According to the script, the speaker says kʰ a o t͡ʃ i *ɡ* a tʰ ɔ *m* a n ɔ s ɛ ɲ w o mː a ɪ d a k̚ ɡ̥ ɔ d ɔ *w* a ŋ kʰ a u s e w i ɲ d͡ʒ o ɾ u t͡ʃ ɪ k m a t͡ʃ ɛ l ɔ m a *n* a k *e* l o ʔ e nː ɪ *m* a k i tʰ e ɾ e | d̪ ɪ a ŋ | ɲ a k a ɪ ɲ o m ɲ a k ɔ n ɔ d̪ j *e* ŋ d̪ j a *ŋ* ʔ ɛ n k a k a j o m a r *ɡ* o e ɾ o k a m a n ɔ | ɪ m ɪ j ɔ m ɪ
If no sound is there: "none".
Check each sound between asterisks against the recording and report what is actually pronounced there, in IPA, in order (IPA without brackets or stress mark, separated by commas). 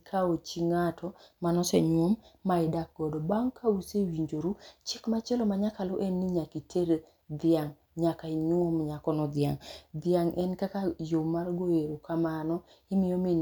ŋ, m, b, ɲ, a, ɲ, a, ŋ, ɡ